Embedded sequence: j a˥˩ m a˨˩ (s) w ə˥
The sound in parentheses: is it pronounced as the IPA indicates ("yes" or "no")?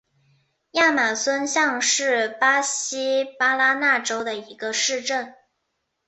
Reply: yes